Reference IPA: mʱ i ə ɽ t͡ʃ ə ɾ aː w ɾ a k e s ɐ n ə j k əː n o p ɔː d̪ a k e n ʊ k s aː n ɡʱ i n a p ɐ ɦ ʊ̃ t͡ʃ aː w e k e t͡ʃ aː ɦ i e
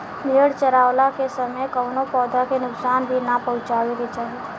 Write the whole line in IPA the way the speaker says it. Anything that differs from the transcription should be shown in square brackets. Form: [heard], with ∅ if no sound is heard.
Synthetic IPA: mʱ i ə ɽ t͡ʃ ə ɾ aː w [l] a k e s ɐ [m] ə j k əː n o p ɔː d̪ a k e n ʊ k s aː n [bʱ] i n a p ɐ ɦ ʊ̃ t͡ʃ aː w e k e t͡ʃ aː ɦ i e